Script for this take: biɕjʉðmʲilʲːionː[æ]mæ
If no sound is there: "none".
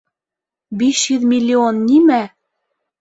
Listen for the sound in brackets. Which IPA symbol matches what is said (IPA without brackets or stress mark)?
i